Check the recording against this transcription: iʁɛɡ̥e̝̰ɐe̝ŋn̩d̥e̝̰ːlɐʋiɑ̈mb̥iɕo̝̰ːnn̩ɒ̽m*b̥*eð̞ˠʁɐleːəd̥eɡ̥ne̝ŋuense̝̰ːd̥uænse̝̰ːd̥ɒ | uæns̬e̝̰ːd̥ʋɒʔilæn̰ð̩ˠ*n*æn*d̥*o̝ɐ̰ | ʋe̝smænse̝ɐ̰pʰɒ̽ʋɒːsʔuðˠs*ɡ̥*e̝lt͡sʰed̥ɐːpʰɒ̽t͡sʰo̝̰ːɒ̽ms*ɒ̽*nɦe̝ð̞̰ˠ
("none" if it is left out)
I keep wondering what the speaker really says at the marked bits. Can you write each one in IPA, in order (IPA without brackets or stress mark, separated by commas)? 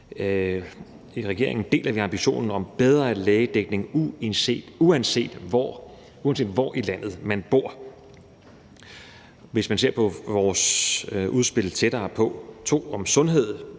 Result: b̥, m, b̥, b̥, ɔ̽